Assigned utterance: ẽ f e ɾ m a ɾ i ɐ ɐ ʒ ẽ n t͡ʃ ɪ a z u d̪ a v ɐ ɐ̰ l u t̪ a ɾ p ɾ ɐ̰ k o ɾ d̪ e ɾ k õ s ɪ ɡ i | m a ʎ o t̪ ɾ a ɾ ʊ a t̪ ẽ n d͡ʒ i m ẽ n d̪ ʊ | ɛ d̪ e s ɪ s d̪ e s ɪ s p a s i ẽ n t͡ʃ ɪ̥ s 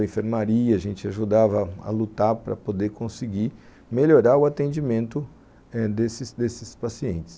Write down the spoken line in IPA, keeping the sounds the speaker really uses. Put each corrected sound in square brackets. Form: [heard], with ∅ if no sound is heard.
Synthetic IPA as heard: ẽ f e ɾ m a ɾ i ɐ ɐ ʒ ẽ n t͡ʃ ɪ a [ʒ] u d̪ a v ɐ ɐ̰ l u t̪ a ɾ p ɾ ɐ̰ [p] o [∅] d̪ e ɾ k õ s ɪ ɡ i | m [e] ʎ o [∅] ɾ a ɾ ʊ a t̪ ẽ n d͡ʒ i m ẽ n [t̪] ʊ | ɛ d̪ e s ɪ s d̪ e s ɪ s p a s i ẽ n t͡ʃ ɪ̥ s